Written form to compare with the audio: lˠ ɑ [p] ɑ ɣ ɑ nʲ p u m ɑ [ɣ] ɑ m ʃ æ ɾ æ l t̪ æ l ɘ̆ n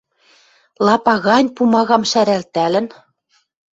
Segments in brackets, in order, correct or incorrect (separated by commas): correct, correct